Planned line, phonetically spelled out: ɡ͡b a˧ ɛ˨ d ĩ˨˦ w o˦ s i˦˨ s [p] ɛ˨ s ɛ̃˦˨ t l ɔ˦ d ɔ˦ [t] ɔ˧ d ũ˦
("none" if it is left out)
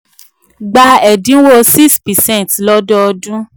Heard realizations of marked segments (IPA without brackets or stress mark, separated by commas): p, none